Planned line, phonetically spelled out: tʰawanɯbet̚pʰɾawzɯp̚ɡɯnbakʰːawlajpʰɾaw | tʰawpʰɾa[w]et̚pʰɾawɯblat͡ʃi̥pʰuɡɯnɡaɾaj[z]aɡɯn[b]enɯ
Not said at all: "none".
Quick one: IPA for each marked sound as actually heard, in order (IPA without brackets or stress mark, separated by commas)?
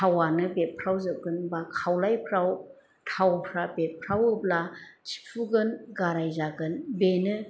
b, z, b